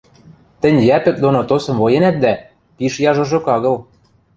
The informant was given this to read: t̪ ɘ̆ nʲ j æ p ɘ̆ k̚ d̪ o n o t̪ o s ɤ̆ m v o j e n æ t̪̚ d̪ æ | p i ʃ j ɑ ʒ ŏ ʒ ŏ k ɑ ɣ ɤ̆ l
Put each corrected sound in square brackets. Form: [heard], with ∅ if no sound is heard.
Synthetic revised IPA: t̪ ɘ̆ nʲ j æ p ɘ̆ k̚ d̪ o n o t̪ o s ɤ̆ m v o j e n æ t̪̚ d̪ æ | p i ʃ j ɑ ʒ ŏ ʒ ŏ k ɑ ɣ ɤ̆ l